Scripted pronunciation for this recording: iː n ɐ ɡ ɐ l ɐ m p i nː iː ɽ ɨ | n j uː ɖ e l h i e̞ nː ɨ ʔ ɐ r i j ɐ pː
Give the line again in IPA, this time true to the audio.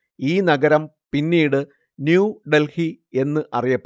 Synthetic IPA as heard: iː n ɐ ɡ ɐ ɾ ɐ m p i nː iː ɽ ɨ | n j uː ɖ e l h i e̞ nː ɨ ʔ ɐ r i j ɐ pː